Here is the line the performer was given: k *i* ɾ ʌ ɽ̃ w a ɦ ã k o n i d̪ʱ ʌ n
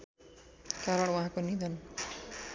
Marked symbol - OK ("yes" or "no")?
no